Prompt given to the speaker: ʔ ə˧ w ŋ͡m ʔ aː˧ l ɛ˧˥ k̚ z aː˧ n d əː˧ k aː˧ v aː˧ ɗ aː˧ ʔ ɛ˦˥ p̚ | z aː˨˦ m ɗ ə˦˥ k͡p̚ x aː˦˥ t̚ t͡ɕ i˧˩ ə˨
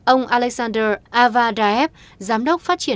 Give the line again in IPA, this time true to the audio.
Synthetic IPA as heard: ʔ ə˧ w ŋ͡m ʔ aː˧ l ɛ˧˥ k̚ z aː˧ n d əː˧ ʔ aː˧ v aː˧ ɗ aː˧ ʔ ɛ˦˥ p̚ | z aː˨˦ m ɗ ə˦˥ k͡p̚ f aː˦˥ t̚ t͡ɕ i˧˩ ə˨

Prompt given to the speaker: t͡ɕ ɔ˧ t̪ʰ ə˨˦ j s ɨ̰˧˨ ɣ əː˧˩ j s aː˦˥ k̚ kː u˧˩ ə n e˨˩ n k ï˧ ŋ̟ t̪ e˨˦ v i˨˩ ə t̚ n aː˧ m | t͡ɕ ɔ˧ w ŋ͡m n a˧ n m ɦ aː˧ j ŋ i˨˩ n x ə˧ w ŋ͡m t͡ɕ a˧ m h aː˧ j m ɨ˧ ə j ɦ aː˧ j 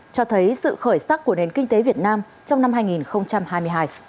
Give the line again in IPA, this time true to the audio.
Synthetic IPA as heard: t͡ɕ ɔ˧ t̪ʰ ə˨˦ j s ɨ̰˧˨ x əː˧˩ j s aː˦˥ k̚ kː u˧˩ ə n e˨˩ n k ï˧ ŋ̟ t̪ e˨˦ v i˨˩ ə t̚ n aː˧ m | t͡ɕ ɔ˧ w ŋ͡m n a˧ m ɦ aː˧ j ŋ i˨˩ n x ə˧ w ŋ͡m t͡ɕ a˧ m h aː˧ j m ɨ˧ ə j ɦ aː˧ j

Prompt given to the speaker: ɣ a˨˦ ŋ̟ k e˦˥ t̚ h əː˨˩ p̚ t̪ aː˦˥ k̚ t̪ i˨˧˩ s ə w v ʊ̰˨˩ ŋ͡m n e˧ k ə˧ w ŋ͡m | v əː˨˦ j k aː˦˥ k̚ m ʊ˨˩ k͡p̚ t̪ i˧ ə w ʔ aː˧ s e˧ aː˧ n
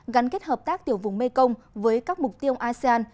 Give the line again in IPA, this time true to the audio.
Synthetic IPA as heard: ɣ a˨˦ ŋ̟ k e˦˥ t̚ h əː˨˩ p̚ t̪ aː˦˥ k̚ t̪ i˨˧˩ ə w v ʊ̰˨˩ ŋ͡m m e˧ k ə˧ w ŋ͡m | v əː˨˦ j k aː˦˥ k̚ m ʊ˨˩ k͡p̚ t̪ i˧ ə w ʔ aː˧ s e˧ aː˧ n

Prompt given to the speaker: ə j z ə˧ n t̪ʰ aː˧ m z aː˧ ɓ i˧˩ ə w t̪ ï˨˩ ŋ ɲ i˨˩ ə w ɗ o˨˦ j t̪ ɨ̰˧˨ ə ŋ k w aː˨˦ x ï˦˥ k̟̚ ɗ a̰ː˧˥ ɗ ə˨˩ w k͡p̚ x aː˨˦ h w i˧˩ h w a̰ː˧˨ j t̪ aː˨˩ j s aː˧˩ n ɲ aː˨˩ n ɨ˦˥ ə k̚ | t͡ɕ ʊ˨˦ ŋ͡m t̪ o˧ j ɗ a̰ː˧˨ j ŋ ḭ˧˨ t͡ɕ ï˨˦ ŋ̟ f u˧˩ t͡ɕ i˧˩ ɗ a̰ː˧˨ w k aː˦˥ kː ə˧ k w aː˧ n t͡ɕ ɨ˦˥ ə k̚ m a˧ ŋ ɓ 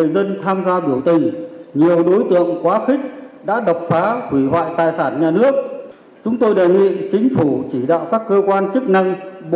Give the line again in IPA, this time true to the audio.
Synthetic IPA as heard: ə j z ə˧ n t̪ʰ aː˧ m z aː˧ ɓ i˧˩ ə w t̪ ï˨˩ ŋ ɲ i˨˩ ə w ɗ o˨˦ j t̪ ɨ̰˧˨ ə ŋ k w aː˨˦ x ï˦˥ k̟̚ ɗ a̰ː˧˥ ɗ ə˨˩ w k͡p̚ f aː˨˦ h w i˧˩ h w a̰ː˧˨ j t̪ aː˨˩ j s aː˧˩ n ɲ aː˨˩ n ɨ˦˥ ə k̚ | t͡ɕ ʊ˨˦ ŋ͡m t̪ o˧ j ɗ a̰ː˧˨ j ŋ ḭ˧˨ t͡ɕ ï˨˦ ŋ̟ f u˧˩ t͡ɕ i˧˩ ɗ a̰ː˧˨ w k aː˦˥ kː əː˧ k w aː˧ n t͡ɕ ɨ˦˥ ə k̚ n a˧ ŋ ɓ

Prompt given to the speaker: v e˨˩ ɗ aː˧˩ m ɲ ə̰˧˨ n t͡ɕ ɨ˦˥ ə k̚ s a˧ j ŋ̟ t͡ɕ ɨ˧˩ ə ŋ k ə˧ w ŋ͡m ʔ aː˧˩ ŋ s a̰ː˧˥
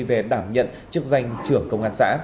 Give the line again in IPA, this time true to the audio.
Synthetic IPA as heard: v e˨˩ ɗ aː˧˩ m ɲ ə̰˧˨ n t͡ɕ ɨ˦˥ ə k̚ z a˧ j ŋ̟ t͡ɕ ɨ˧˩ ə ŋ k ə˧ w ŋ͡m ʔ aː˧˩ n s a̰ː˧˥

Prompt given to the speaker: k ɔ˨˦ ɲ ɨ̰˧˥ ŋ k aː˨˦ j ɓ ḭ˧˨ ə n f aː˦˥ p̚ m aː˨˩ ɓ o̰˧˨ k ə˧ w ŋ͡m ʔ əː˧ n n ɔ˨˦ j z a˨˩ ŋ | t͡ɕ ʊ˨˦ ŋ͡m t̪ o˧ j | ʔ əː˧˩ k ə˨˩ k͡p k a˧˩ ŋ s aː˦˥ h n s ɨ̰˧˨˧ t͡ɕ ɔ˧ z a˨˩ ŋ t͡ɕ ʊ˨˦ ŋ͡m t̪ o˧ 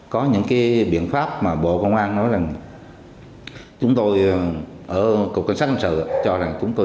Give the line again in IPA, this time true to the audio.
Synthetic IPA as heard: k ɔ˨˦ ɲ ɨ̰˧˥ ŋ k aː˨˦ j ɓ ḭ˧˨ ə n f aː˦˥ p̚ m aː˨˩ ɓ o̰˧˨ k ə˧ w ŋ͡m ʔ aː˧ n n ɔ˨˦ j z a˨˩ ŋ | t͡ɕ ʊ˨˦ ŋ͡m t̪ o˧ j | ʔ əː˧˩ k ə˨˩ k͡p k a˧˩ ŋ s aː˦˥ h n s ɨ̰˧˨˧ t͡ɕ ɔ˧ z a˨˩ ŋ t͡ɕ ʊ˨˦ ŋ͡m t̪ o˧

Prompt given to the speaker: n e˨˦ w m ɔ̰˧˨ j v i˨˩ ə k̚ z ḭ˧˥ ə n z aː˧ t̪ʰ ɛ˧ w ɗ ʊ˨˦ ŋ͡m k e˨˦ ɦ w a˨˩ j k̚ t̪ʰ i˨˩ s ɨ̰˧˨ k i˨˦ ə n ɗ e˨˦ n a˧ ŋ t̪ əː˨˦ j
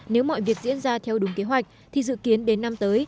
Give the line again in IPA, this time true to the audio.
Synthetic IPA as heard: n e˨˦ w m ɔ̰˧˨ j v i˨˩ ə k̚ z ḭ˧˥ ə n z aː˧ t̪ʰ ɛ˧ w ɗ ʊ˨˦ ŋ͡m k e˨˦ ɦ w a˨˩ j k̚ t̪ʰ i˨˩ z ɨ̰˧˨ k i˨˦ ə n ɗ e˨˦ nː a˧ m t̪ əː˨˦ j

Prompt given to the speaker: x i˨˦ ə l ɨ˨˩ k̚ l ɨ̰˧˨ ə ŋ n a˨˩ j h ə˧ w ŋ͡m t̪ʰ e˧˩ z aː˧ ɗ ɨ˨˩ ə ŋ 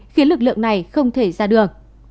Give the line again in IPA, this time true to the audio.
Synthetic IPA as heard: x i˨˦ ə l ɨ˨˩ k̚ l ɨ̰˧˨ ə ŋ n a˨˩ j x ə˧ w ŋ͡m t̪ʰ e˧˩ z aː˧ ɗ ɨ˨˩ ə ŋ

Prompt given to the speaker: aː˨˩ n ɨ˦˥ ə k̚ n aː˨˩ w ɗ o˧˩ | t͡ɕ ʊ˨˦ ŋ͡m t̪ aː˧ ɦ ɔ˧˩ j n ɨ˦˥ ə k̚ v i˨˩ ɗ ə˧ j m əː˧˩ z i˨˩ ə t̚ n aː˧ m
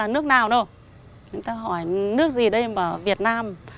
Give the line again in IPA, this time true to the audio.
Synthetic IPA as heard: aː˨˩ n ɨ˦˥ ə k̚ n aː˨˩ w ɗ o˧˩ | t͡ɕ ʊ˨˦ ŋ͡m t̪ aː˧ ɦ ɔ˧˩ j n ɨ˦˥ ə k̚ z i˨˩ ɗ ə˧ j m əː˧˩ v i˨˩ ə t̚ n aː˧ m

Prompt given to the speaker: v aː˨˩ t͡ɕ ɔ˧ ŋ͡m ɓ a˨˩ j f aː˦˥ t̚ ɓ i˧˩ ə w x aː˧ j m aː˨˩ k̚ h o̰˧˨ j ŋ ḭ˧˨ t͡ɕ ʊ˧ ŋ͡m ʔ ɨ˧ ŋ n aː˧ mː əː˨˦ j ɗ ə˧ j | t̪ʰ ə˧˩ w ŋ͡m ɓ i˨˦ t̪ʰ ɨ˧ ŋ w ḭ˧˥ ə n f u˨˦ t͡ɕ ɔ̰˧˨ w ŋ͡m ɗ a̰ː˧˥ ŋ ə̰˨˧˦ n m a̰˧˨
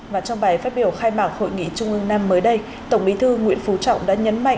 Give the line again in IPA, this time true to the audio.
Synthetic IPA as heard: v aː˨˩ t͡ɕ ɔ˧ ŋ͡m ɓ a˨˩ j f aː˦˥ t̚ ɓ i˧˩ ə w x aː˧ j m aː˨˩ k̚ h o̰˧˨ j ŋ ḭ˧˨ t͡ɕ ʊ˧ ŋ͡m ʔ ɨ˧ ŋ n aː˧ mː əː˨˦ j ɗ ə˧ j | t̪ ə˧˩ w ŋ͡m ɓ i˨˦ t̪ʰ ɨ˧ ŋ w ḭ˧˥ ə n f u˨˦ t͡ɕ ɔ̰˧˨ w ŋ͡m ɗ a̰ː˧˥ ɲ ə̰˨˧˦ n m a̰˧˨

